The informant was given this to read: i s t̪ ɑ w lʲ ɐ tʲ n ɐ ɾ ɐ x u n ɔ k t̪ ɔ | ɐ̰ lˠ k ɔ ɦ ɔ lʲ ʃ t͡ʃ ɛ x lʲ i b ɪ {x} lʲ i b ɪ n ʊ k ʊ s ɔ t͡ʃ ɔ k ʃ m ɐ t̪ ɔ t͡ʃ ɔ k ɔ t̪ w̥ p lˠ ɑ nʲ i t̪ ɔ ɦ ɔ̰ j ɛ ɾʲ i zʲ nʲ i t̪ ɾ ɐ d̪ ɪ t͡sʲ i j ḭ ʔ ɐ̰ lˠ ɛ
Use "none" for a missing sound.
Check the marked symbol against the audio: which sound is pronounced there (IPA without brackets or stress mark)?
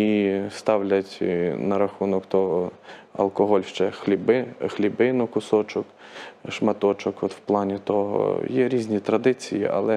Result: x